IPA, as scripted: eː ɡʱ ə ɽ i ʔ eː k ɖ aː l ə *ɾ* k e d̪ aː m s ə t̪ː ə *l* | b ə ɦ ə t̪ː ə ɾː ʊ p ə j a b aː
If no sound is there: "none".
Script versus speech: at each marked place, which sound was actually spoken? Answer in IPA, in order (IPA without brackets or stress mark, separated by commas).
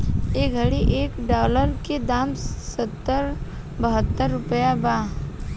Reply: ɾ, ɾ